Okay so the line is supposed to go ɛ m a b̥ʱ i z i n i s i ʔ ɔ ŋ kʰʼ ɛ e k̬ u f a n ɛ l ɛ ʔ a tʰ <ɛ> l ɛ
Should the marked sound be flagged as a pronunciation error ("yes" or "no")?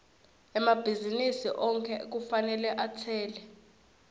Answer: yes